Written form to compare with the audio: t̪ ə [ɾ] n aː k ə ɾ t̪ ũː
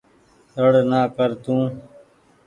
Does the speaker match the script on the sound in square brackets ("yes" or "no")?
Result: no